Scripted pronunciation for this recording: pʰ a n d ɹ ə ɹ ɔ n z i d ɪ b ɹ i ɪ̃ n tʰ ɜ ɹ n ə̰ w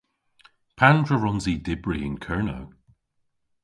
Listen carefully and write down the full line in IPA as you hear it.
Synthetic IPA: pʰ a n d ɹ ə ɹ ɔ n z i d ɪ b ɹ i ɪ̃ n kʰ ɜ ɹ n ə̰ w